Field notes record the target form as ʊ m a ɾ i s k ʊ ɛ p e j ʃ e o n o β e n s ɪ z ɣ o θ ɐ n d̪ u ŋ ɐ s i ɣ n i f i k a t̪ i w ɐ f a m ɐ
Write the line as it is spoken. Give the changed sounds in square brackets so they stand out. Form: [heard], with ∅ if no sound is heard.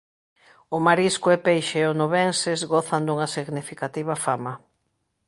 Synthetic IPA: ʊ m a ɾ i s k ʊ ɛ p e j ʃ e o n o β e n s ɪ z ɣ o θ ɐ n d̪ u ŋ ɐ s i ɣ n i f i k a t̪ i [β] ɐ f a m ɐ